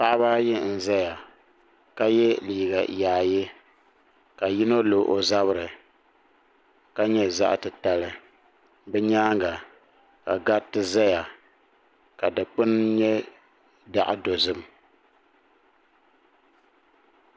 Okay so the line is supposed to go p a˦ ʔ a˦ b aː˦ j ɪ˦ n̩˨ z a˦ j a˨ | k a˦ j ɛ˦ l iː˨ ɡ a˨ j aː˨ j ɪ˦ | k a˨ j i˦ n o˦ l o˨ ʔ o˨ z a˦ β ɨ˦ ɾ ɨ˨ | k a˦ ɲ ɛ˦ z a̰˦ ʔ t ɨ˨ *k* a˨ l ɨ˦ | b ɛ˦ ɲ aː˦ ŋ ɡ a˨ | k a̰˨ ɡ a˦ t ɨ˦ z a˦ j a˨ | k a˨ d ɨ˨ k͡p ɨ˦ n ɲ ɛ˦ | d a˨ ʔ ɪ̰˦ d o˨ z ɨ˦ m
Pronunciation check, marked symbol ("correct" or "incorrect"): incorrect